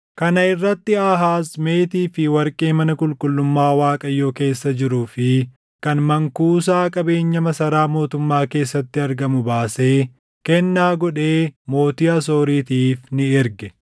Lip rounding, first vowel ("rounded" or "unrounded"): unrounded